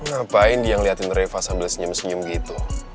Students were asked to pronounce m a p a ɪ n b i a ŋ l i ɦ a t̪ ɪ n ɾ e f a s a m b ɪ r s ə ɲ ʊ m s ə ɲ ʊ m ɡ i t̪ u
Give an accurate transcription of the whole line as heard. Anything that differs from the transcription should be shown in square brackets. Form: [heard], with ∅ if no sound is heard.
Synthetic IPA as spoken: [ŋ] a p a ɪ n [d] i a ŋ l i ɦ a t̪ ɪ n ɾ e f a s a m b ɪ [l] s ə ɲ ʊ m s ə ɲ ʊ m ɡ i t̪ u